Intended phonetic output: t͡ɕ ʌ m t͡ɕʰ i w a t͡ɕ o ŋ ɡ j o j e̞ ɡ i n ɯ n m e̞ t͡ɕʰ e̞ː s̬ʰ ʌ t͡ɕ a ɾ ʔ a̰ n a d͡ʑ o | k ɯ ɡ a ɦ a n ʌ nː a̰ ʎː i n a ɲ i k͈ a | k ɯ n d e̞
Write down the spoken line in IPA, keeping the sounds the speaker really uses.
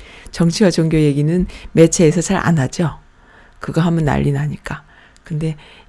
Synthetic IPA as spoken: t͡ɕ ʌ ŋ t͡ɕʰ i w a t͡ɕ o ŋ ɡ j o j e̞ ɡ i n ɯ n m e̞ t͡ɕʰ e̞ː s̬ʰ ʌ t͡ɕ a ɾ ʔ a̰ n a d͡ʑ o | k ɯ ɡ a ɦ a m ʌ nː a̰ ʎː i n a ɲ i k͈ a | k ɯ n d e̞